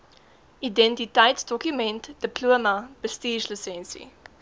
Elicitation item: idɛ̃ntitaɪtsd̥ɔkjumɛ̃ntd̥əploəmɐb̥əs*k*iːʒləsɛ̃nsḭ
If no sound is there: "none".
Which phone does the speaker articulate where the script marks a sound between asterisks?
t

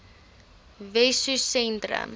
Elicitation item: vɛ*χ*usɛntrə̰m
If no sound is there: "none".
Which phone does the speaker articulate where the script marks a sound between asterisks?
s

